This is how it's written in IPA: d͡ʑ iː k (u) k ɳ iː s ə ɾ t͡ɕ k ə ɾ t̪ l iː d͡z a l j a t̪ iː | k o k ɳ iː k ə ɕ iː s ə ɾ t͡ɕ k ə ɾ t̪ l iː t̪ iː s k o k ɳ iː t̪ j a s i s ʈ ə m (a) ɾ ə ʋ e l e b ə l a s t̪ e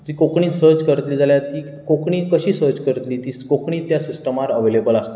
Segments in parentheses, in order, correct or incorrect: incorrect: o, correct

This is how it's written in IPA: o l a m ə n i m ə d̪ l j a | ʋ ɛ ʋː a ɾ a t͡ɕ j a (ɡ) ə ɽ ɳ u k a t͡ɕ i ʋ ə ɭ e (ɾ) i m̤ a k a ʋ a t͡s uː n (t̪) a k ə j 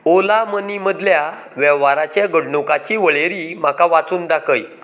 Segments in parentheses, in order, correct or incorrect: correct, correct, incorrect: d̪

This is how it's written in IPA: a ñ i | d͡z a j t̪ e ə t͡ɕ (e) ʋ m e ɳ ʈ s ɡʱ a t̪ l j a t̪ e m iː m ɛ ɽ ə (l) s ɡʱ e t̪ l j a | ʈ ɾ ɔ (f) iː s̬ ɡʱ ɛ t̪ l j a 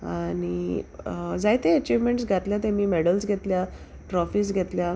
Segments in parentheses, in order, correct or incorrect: incorrect: i, correct, correct

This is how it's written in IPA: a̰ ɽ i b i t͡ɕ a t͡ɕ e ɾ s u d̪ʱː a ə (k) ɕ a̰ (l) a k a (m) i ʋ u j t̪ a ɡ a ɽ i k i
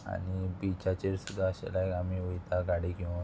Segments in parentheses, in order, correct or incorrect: incorrect: none, correct, correct

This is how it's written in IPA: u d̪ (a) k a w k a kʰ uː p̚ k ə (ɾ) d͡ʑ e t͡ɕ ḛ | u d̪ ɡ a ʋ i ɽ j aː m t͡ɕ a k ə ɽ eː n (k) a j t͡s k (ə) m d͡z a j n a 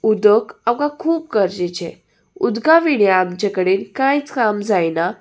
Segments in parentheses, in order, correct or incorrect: incorrect: ə, correct, correct, incorrect: a

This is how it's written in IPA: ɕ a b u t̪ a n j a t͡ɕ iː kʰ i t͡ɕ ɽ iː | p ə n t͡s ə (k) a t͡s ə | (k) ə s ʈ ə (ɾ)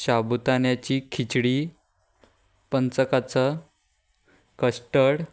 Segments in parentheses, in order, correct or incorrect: correct, correct, incorrect: ɽ

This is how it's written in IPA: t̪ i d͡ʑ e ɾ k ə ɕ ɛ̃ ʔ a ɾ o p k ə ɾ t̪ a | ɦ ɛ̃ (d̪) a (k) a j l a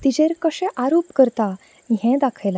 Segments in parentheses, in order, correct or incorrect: correct, incorrect: kʰ

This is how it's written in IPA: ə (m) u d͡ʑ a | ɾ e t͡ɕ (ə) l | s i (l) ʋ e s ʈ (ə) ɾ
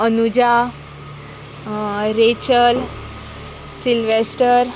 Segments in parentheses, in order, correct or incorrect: incorrect: n, correct, correct, correct

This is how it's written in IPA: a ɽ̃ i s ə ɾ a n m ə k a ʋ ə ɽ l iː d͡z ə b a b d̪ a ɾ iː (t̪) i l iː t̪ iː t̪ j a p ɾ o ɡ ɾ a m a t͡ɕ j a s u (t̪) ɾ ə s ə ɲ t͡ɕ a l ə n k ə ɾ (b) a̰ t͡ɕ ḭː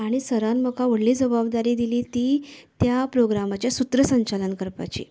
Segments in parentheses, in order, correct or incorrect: incorrect: d̪, correct, incorrect: p

